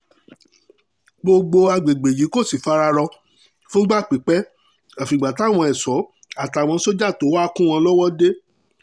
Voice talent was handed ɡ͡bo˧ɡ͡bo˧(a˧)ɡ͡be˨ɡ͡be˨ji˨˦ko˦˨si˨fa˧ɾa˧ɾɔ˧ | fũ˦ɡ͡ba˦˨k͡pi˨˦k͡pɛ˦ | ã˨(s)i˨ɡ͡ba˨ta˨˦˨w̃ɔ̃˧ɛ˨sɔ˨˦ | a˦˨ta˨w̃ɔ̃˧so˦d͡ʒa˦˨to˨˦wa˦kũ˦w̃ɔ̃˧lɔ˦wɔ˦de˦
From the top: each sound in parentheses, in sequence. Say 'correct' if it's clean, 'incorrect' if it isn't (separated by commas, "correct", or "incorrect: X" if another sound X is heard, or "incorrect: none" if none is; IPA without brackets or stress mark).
correct, incorrect: f